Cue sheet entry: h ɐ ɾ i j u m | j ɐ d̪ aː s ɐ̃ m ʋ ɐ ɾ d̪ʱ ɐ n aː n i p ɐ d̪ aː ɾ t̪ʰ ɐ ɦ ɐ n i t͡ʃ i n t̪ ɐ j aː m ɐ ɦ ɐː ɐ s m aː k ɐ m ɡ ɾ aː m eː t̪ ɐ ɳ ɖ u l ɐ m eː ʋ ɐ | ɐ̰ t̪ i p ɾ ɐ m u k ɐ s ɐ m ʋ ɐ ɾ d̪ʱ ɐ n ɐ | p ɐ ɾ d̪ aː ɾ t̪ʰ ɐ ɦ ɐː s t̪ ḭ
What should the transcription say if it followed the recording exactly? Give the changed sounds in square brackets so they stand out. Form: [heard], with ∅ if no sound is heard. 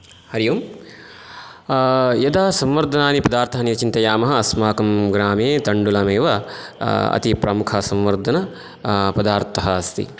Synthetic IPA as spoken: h ɐ ɾ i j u m | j ɐ d̪ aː s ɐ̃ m ʋ ɐ ɾ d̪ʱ ɐ n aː n i p ɐ d̪ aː ɾ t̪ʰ ɐ ɦ ɐ n i t͡ʃ i n t̪ ɐ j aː m ɐ ɦ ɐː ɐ s m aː k ɐ m ɡ ɾ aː m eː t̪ ɐ ɳ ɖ u l ɐ m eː ʋ ɐ | ɐ̰ t̪ i p ɾ ɐ m u [kʰ] ɐ s ɐ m ʋ ɐ ɾ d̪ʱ ɐ n ɐ | p ɐ [∅] d̪ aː ɾ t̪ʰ ɐ ɦ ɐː s t̪ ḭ